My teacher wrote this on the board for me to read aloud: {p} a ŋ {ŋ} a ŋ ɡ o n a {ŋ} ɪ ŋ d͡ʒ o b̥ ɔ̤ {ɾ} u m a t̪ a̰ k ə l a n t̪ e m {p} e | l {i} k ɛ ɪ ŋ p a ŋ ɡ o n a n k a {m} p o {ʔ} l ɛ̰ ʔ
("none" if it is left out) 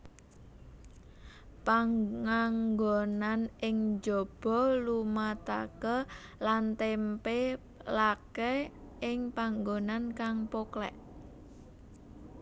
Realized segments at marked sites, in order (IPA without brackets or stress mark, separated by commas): p, ŋ, n, l, p, a, ŋ, k